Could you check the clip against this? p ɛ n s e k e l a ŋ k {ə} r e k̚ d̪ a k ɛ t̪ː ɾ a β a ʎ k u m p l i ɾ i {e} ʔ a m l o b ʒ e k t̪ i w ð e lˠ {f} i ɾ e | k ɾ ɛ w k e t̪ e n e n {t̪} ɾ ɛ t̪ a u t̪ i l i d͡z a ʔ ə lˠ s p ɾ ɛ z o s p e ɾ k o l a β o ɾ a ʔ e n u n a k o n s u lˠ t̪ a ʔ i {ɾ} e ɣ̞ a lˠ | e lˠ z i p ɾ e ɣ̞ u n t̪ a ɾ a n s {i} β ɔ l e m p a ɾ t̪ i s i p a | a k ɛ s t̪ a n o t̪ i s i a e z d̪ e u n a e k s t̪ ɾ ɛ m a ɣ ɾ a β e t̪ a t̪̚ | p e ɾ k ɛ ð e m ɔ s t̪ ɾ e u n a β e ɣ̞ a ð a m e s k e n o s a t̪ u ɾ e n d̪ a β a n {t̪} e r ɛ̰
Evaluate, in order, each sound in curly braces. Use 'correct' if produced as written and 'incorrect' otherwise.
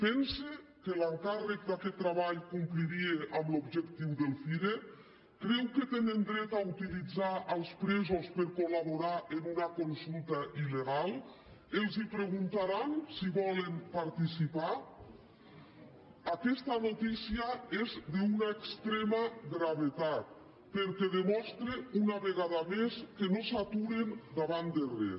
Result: incorrect, correct, correct, incorrect, incorrect, correct, incorrect

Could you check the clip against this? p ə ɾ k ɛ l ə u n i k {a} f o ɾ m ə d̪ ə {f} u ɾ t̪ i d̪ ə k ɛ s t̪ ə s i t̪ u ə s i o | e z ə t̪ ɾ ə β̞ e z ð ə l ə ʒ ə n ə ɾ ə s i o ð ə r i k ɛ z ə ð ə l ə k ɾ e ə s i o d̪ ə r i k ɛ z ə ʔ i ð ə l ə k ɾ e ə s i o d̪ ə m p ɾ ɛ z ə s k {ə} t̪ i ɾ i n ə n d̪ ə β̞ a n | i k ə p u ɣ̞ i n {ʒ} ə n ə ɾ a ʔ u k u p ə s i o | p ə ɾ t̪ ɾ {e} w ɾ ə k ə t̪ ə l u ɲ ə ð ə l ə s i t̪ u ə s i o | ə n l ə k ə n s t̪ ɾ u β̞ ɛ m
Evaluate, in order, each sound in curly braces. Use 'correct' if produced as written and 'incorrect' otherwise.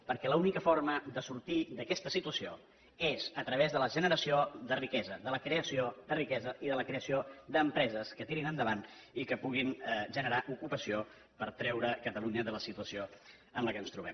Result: incorrect, incorrect, correct, correct, incorrect

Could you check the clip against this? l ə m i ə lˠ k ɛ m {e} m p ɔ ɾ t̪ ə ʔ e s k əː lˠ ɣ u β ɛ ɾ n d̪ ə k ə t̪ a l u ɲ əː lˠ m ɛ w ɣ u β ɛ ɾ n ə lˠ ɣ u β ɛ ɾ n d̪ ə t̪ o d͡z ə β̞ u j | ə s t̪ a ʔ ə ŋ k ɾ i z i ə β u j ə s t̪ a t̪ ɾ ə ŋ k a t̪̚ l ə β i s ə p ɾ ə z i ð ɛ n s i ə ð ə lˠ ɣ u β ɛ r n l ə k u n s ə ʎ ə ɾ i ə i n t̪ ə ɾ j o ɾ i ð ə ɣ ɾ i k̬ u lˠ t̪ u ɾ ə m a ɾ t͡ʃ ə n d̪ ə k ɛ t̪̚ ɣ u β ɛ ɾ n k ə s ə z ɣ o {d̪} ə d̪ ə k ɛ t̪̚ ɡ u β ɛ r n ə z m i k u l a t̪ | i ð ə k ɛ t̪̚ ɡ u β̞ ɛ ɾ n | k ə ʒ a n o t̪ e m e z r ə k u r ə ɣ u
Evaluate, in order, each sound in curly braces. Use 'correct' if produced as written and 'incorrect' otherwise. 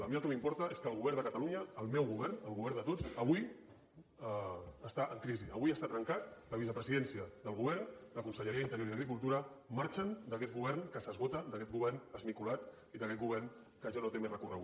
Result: incorrect, incorrect

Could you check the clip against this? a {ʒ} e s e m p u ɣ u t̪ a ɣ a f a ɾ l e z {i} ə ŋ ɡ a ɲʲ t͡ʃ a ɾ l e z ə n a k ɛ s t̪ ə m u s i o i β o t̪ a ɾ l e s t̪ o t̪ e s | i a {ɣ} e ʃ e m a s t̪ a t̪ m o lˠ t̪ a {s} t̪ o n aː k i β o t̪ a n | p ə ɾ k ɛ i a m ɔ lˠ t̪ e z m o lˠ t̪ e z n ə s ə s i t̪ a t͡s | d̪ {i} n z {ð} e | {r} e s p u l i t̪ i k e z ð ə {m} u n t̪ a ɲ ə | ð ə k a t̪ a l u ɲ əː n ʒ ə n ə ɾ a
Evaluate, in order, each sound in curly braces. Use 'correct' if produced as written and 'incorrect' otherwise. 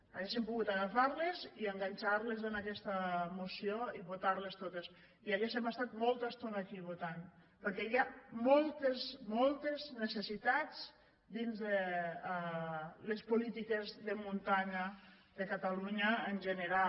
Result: incorrect, correct, correct, correct, correct, correct, incorrect, correct

